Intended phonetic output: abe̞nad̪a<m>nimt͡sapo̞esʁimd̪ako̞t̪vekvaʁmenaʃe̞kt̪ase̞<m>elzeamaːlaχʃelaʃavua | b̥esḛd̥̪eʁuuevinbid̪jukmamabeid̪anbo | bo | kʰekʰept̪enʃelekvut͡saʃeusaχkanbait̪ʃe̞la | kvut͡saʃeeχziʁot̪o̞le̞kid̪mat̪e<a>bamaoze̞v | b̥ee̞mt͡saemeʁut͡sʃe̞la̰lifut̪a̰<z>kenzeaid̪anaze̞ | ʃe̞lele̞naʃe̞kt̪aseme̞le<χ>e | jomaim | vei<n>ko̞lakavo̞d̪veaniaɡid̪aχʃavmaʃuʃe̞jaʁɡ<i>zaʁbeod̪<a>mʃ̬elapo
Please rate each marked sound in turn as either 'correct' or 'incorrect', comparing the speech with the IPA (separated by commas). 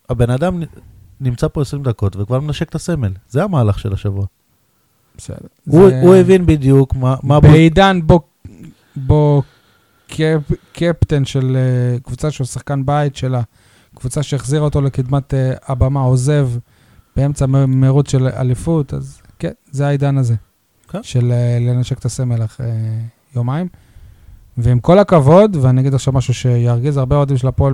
correct, correct, correct, correct, correct, incorrect, correct, incorrect